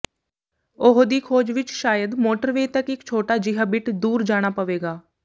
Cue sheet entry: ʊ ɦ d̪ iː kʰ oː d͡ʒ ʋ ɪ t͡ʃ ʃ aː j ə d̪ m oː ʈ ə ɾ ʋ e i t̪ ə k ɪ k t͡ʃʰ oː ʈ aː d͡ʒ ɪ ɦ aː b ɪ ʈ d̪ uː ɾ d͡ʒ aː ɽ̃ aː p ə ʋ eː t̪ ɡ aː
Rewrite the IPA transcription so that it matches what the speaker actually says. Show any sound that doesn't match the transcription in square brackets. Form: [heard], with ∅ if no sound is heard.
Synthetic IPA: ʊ ɦ d̪ iː kʰ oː d͡ʒ ʋ ɪ t͡ʃ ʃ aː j ə d̪ m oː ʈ ə ɾ ʋ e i t̪ ə k ɪ k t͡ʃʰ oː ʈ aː d͡ʒ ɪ ɦ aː b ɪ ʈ d̪ uː ɾ d͡ʒ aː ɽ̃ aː p ə ʋ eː [∅] ɡ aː